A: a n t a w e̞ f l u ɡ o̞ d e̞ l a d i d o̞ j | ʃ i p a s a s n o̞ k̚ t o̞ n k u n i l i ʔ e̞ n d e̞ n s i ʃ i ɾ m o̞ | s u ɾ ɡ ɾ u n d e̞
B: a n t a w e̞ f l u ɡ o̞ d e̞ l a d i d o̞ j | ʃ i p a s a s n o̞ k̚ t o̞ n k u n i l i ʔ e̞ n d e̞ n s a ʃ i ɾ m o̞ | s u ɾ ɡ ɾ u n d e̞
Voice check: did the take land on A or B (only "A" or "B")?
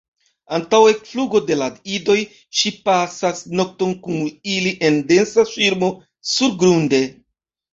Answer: B